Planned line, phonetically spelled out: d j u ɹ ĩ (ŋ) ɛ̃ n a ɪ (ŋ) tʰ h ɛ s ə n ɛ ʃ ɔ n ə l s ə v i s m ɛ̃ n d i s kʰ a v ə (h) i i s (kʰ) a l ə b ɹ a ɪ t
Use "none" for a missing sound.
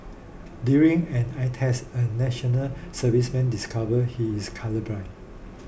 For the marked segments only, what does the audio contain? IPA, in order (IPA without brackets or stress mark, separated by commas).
ŋ, none, h, kʰ